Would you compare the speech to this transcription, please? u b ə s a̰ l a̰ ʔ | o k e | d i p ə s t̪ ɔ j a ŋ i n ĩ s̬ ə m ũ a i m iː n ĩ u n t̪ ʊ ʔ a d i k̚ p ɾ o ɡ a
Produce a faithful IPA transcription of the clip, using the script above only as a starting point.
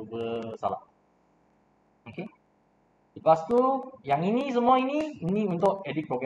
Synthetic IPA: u b ə s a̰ l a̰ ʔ | o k e | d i p a s t̪ u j a ŋ i n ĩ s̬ ə m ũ a i n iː n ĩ u n t̪ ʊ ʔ ɛ d i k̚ p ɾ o ɡ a